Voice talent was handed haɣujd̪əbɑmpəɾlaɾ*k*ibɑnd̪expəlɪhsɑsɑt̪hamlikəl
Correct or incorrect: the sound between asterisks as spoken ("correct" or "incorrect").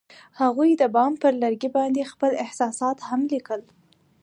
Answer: incorrect